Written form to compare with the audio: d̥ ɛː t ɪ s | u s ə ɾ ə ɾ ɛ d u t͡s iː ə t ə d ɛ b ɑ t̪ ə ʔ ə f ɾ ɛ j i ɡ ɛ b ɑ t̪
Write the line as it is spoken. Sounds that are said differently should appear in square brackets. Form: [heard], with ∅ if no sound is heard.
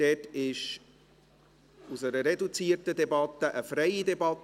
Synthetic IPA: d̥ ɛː t ɪ [ʃ] | u s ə ɾ ə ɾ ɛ d u t͡s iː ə t ə d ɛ b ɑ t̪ ə ʔ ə f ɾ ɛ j i [d] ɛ b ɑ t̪